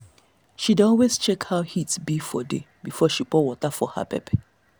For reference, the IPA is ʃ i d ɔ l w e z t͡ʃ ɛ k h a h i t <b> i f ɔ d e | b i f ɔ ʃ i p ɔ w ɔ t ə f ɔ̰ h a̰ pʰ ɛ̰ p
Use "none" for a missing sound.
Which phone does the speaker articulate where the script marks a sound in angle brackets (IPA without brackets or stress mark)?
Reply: b